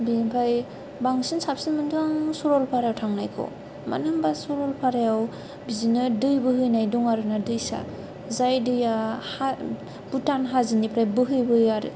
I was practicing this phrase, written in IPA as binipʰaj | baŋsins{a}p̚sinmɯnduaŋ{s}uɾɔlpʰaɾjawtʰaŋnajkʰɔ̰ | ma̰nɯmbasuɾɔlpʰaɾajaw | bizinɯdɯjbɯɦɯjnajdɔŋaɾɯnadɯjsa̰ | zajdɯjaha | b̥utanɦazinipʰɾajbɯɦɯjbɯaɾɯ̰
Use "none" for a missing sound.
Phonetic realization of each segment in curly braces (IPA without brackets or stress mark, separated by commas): a, s